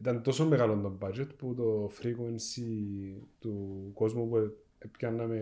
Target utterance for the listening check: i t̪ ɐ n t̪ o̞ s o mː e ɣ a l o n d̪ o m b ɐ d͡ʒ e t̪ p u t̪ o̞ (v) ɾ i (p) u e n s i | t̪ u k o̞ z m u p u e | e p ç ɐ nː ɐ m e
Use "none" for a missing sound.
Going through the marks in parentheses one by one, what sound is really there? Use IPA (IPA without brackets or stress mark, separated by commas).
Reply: f, k